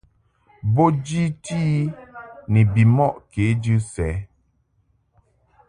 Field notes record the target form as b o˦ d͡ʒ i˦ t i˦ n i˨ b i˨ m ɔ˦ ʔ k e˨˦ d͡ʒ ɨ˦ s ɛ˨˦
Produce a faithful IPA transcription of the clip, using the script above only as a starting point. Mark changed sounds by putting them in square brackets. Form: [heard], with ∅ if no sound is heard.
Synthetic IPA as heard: b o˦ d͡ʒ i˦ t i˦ n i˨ b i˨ m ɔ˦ ʔ k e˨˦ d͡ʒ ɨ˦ s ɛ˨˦